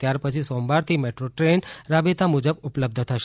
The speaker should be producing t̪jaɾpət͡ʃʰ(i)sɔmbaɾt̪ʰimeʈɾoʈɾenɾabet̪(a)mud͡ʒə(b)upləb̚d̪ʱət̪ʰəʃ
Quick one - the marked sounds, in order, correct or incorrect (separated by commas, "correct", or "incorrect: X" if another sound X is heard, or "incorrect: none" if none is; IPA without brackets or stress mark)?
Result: correct, correct, correct